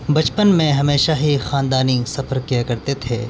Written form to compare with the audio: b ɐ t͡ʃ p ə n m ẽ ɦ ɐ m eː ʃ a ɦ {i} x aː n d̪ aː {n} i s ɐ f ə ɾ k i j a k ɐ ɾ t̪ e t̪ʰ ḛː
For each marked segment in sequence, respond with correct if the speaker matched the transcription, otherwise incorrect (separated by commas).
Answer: correct, correct